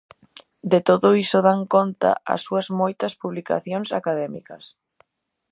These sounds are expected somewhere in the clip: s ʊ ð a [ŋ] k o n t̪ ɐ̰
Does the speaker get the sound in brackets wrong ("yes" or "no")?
no